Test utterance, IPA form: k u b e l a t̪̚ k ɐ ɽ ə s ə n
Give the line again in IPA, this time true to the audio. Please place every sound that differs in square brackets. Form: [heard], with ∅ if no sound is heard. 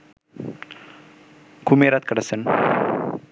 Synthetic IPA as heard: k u [m] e [ɾ] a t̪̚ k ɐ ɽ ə s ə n